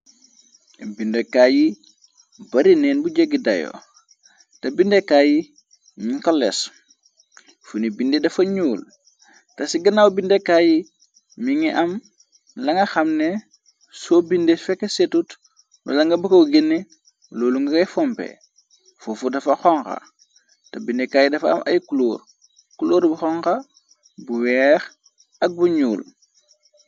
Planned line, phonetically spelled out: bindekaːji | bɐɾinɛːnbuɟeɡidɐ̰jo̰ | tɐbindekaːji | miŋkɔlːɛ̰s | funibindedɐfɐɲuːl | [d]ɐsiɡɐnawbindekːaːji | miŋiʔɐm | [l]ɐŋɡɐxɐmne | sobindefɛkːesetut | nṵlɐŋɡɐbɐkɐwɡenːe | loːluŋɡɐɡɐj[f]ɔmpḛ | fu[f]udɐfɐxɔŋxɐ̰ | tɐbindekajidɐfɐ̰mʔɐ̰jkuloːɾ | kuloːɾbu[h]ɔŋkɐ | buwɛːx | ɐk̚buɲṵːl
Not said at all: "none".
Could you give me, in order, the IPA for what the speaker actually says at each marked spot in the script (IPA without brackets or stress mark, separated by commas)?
t, l, f, f, x